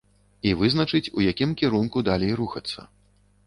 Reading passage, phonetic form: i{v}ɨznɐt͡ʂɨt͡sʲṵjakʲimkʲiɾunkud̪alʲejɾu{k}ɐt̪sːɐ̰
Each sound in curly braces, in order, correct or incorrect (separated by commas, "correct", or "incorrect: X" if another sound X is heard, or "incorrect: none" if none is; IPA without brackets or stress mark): correct, incorrect: x